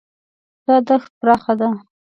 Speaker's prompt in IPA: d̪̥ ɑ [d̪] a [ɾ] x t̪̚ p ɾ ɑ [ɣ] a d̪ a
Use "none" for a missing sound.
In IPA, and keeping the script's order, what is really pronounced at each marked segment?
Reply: d̪, none, x

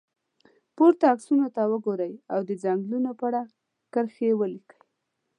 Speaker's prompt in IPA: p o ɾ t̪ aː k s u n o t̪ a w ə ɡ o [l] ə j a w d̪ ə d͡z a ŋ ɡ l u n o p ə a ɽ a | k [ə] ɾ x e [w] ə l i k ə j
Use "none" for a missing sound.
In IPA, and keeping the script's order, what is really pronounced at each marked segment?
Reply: ɾ, ə, w

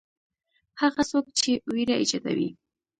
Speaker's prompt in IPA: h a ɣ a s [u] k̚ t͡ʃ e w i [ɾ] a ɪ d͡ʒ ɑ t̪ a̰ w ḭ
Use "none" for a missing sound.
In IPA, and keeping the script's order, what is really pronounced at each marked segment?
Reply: o, ɾ

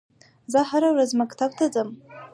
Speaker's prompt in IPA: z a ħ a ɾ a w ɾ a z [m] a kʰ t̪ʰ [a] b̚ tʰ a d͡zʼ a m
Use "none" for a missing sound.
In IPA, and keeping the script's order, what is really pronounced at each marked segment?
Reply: m, a

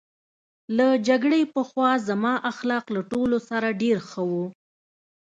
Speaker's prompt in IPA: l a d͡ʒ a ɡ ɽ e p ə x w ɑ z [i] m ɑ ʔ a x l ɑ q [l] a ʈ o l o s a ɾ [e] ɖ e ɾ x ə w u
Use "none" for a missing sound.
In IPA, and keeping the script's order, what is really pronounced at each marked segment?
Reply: a, l, a

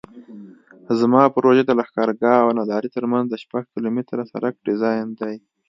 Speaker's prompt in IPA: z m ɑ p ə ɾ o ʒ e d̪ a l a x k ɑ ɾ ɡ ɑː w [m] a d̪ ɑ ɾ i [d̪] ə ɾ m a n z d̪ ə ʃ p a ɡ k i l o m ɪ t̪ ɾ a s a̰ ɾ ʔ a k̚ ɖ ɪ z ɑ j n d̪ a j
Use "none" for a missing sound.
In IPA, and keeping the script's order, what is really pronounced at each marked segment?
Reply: n, t̪

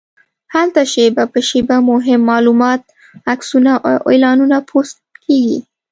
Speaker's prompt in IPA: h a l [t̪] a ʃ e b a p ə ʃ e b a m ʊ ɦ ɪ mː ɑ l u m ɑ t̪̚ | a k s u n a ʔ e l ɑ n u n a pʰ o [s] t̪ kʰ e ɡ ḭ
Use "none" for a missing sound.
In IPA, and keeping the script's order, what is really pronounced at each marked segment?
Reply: t̪, s

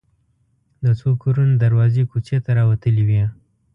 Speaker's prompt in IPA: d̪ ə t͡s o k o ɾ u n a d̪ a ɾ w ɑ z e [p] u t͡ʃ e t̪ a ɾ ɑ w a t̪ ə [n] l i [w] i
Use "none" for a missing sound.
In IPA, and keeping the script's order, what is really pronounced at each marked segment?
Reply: k, none, w

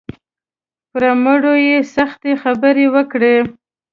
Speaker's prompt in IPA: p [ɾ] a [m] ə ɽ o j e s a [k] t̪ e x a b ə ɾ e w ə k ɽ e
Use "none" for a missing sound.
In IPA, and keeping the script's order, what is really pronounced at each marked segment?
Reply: ɾ, m, x

